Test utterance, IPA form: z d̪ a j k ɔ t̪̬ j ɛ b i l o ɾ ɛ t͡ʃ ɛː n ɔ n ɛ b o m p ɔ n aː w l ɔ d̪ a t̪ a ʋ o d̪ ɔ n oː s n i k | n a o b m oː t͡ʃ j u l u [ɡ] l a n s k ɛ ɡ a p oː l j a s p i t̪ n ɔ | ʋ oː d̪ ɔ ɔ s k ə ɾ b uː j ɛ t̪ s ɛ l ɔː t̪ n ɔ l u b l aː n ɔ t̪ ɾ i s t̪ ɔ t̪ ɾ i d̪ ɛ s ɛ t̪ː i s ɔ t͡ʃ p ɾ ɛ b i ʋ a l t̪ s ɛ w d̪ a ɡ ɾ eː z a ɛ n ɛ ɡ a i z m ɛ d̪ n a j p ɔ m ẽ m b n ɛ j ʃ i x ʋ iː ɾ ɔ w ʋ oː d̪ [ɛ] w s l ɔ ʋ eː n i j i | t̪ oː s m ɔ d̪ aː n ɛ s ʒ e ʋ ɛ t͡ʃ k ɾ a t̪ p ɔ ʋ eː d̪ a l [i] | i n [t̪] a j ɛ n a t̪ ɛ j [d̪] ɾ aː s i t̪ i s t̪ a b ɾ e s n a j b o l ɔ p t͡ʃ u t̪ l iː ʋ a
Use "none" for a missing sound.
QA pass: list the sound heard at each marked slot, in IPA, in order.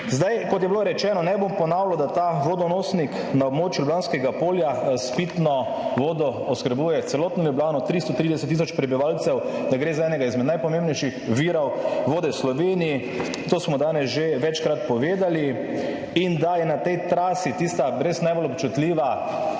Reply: b, ɛ, i, d̪, t̪

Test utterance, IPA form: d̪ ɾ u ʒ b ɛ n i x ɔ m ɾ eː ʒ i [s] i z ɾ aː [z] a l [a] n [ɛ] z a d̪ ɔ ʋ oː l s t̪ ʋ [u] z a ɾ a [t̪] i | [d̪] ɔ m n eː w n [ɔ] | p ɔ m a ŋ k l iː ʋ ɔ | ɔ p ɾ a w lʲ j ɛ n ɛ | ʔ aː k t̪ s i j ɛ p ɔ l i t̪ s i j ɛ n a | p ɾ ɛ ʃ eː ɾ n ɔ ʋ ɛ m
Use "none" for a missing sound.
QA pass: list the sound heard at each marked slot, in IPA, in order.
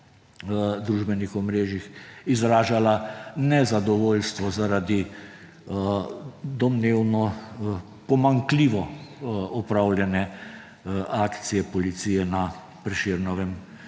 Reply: x, ʒ, a, ɛ, ɔ, d̪, d̪, ɔ

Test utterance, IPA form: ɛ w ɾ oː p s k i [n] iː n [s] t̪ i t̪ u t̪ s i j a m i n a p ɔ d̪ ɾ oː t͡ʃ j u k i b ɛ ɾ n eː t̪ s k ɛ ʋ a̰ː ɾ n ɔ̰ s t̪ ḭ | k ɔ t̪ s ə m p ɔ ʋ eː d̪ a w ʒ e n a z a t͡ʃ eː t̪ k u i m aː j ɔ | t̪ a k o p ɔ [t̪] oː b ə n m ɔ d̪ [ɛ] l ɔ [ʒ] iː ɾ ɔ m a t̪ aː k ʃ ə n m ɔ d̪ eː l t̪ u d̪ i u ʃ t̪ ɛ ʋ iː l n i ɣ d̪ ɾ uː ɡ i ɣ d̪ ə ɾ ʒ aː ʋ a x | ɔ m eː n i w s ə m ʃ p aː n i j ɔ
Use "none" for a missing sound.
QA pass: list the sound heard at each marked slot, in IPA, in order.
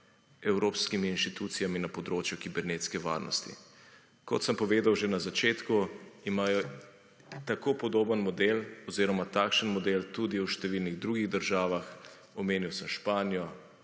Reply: m, ʃ, d̪, e, z

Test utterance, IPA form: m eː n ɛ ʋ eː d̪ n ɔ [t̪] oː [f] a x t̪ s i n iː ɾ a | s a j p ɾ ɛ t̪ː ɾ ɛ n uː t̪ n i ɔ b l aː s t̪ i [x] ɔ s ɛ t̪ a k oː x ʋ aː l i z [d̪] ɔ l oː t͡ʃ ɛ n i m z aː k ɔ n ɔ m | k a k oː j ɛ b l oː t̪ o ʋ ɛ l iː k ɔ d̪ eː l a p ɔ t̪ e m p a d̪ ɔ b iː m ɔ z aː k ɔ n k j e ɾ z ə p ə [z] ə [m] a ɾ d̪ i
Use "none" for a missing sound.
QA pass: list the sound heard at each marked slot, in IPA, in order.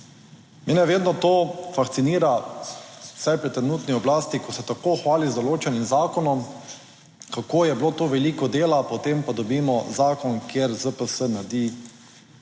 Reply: t̪, f, k, d̪, s, n

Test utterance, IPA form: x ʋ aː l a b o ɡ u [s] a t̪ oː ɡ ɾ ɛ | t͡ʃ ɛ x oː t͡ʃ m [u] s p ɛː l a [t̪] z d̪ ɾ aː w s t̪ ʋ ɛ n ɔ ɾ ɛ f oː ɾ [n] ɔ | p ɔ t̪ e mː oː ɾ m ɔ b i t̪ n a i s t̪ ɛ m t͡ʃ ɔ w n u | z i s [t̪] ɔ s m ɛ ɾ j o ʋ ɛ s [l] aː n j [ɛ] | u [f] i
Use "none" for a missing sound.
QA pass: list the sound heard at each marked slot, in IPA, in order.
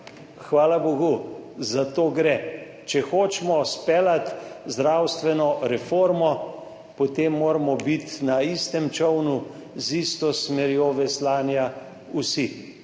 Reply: z, ɔ, t̪, m, t̪, l, a, s

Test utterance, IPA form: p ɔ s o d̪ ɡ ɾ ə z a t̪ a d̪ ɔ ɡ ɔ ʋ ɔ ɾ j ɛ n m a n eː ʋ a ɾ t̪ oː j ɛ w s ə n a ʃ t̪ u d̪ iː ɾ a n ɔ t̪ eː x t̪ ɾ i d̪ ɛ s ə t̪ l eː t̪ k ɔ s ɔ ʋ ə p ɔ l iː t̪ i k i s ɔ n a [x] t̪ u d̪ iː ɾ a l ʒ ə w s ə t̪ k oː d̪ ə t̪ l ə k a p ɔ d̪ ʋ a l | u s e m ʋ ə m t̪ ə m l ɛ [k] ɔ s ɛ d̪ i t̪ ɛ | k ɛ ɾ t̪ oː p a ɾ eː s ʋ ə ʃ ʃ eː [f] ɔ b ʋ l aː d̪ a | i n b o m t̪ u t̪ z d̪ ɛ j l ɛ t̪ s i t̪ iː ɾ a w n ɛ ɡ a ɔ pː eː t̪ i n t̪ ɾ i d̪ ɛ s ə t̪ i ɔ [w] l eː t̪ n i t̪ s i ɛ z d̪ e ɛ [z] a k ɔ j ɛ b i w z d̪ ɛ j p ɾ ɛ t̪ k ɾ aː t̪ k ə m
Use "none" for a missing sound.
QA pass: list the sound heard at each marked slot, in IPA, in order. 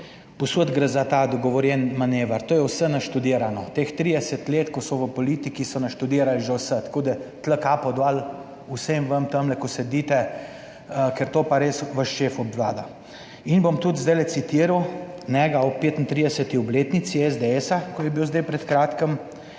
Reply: ʃ, k, f, b, s

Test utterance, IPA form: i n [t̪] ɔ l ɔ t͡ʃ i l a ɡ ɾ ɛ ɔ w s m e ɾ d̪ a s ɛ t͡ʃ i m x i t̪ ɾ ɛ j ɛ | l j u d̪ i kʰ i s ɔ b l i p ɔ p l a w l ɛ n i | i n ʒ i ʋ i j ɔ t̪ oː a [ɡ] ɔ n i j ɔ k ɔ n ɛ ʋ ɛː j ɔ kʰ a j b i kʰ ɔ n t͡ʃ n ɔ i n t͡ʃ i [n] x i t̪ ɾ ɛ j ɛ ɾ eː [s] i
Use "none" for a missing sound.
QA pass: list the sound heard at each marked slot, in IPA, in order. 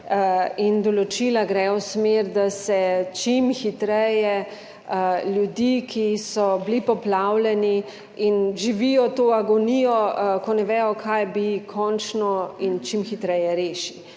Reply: d̪, ɡ, m, ʃ

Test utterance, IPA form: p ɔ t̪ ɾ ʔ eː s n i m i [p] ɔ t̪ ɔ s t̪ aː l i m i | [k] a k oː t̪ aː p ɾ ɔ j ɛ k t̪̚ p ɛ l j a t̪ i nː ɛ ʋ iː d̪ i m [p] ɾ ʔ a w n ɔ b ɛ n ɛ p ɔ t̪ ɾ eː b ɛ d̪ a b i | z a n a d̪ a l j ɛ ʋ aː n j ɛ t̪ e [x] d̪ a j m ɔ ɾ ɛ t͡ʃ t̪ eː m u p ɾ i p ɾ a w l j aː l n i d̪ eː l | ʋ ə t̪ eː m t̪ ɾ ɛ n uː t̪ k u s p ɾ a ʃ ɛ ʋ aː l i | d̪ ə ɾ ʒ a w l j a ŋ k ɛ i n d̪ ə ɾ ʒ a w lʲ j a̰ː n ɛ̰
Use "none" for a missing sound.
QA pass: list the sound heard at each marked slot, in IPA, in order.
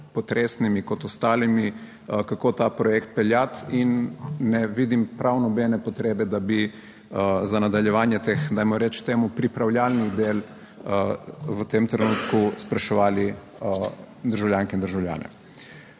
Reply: k, k, p, x

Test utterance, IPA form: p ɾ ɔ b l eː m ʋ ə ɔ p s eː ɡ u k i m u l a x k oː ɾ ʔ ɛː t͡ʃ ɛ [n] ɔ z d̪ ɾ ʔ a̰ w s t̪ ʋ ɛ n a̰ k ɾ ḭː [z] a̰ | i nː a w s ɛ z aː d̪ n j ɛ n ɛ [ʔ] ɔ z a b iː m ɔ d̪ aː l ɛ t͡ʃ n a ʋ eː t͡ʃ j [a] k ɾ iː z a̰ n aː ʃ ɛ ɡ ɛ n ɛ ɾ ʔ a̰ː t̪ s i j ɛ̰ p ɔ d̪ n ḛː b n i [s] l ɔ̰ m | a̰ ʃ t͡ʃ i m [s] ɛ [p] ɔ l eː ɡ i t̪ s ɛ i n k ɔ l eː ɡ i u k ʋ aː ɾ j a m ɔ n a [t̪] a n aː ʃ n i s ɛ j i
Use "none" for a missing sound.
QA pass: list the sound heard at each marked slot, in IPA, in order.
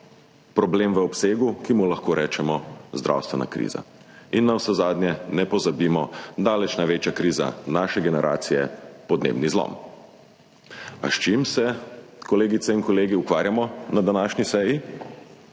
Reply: m, z, p, a, z, s, k, d̪

